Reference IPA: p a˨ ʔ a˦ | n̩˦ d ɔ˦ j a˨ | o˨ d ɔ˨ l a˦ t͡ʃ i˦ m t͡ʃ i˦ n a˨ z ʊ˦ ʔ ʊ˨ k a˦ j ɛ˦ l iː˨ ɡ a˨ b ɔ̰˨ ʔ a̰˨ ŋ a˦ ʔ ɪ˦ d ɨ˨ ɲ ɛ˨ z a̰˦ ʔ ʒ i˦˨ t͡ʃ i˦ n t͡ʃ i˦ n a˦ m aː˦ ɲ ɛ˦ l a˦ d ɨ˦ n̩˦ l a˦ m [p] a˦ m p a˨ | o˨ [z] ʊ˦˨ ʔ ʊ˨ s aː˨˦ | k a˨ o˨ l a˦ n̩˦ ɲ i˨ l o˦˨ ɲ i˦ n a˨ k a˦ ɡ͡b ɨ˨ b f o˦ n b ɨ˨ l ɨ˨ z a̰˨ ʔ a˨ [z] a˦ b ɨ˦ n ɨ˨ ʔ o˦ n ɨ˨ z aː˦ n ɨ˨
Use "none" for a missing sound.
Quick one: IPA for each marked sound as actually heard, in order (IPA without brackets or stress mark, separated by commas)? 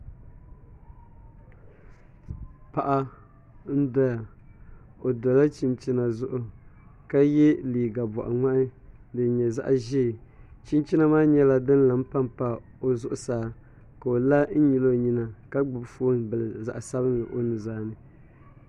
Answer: p, z, s